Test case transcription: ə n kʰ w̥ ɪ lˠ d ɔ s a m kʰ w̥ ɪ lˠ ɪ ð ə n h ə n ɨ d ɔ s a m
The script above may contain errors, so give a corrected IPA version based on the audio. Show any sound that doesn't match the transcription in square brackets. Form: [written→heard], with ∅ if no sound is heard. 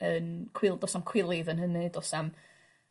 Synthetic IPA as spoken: ə n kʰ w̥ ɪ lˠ d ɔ s a m kʰ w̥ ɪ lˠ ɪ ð ə n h ə n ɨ d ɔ s a m